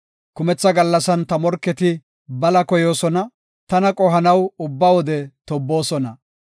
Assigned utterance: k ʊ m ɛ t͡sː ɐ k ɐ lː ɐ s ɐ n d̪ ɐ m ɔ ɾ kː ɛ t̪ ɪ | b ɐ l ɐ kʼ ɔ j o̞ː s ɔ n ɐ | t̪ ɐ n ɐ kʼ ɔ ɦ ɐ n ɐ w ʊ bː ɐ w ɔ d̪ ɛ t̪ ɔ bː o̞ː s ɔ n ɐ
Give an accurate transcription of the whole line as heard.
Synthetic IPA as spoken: k ʊ m ɛ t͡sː ɐ ɡ ɐ lː ɐ s ɐ n t̪ ɐ m ɔ ɾ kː ɛ t̪ ɪ | b ɐ l ɐ k ɔ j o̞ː s ɔ n ɐ | t̪ ɐ n ɐ kʼ ɔ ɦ ɐ n ɐ w ʊ bː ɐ w ɔ d̪ ɛ t̪ ɔ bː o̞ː s ɔ n ɐ